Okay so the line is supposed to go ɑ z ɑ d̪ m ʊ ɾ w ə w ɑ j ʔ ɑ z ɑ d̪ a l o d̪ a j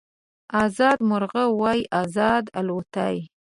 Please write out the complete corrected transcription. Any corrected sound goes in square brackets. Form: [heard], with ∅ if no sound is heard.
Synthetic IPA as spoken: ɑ z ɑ d̪ m ʊ ɾ [ɣ] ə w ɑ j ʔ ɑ z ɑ d̪ a l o [t̪] a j